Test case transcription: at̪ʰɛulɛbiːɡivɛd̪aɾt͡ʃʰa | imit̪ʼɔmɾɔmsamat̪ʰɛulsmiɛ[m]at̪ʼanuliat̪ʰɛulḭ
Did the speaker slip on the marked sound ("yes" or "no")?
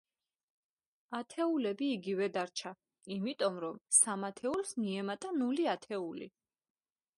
no